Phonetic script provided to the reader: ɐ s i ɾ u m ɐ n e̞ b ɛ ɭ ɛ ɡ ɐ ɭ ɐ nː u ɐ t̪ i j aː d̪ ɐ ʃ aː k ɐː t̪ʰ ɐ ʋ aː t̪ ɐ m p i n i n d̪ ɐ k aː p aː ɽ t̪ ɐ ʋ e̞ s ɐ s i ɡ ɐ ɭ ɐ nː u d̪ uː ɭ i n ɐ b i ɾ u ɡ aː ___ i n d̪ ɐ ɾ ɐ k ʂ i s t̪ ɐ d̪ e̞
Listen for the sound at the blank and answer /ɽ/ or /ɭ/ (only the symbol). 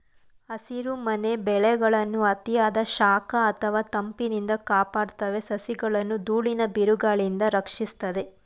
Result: ɭ